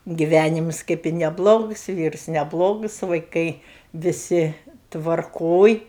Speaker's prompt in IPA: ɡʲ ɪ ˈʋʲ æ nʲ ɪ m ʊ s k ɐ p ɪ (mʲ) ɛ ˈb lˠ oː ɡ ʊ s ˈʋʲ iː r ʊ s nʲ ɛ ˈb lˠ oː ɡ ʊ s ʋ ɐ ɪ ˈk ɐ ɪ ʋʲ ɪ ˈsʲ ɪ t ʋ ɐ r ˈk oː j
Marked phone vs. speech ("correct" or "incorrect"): incorrect